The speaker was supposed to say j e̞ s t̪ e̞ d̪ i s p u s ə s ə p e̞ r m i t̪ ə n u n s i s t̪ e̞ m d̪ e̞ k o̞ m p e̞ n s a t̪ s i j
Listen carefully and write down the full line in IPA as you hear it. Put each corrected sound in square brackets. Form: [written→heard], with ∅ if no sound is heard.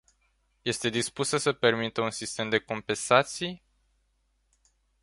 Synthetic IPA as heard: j e̞ s t̪ e̞ d̪ i s p u s ə s ə p e̞ r m i t̪ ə [n→∅] u n s i s t̪ e̞ m d̪ e̞ k o̞ m p e̞ n s a t̪ s i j